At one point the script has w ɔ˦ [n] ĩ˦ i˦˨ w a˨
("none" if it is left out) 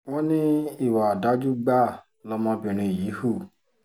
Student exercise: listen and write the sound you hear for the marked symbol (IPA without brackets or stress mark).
n